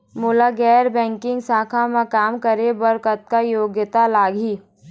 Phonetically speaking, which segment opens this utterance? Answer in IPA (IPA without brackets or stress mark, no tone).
m